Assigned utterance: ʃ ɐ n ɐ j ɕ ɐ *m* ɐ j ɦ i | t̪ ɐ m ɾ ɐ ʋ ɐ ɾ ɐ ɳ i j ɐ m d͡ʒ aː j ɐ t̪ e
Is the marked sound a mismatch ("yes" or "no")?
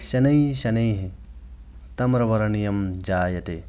yes